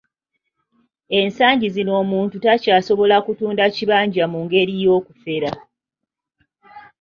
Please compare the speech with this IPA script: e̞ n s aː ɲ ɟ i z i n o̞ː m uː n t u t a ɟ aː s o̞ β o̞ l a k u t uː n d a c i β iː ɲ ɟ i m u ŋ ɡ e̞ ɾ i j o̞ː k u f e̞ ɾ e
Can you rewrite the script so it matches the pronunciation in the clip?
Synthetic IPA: e̞ n s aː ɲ ɟ i z i n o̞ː m uː n t u t a c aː s o̞ β o̞ l a k u t uː n d a c i β aː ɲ ɟ a m u ŋ ɡ e̞ ɾ i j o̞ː k u f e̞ ɾ a